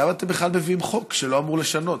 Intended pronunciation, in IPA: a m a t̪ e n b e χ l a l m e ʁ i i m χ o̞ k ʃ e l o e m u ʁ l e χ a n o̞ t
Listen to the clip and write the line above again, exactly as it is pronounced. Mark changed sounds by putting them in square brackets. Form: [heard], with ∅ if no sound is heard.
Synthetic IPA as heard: a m a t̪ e [m] b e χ l a l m e [v] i i m χ o̞ k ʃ e l o [a] m u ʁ l e [ʃ] a n o̞ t